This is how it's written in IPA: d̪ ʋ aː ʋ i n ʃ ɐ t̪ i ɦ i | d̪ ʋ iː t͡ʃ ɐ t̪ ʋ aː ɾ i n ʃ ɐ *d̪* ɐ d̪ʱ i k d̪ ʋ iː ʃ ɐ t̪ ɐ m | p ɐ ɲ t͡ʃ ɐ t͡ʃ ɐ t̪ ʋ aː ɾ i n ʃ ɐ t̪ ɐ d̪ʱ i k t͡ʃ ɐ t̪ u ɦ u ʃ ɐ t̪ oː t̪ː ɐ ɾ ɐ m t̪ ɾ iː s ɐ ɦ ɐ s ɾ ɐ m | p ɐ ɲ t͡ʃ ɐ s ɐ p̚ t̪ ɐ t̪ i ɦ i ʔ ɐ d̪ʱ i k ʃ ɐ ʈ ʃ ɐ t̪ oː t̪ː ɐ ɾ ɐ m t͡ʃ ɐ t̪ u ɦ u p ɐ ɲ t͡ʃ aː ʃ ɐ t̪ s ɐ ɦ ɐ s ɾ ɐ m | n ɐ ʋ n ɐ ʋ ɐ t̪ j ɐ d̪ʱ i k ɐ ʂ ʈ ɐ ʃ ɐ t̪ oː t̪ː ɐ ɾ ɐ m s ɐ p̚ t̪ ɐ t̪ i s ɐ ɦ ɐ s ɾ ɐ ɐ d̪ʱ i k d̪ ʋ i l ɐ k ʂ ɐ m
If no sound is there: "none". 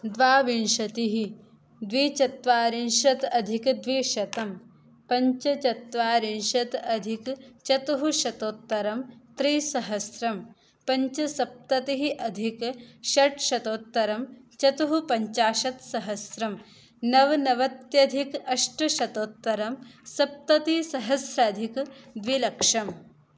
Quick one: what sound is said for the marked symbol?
t̪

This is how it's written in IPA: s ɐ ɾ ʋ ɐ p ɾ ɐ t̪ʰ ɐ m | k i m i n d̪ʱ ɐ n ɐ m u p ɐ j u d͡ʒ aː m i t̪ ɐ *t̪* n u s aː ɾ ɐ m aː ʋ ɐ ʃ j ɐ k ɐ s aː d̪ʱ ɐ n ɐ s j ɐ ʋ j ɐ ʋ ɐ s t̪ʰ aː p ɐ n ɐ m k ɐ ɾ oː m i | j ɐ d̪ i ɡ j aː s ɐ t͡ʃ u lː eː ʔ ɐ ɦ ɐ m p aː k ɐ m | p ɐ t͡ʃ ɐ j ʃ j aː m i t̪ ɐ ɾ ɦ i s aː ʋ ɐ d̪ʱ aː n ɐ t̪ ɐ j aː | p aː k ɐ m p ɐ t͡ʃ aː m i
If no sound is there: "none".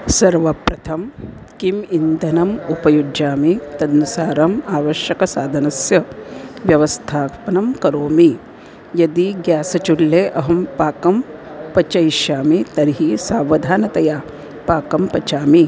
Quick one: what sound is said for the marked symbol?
d̪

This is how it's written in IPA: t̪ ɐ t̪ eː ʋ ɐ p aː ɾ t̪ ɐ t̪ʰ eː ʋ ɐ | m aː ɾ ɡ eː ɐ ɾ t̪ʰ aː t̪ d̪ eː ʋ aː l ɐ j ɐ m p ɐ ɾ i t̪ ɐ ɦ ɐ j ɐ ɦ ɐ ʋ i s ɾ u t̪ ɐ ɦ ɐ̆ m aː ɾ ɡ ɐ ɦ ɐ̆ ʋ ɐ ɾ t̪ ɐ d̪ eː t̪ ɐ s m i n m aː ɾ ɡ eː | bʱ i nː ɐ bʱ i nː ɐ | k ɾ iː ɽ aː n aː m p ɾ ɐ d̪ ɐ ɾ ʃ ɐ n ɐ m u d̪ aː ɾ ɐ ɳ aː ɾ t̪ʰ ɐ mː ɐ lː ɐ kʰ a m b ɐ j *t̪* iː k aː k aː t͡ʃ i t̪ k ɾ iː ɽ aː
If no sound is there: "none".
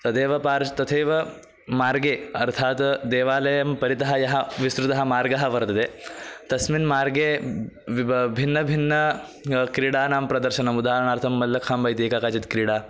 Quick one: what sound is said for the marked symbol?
t̪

